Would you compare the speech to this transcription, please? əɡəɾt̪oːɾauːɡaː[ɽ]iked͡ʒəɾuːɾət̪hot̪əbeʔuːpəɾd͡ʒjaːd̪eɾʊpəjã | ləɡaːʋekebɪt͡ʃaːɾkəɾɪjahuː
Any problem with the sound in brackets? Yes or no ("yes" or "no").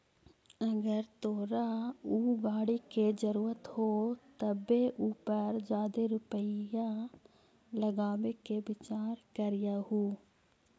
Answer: no